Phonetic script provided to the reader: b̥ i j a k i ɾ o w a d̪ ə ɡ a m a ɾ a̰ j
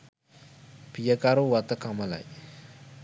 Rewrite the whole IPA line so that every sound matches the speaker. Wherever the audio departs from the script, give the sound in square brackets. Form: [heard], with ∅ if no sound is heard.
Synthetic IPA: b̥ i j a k [a] ɾ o w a [t̪] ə [k] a m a [l] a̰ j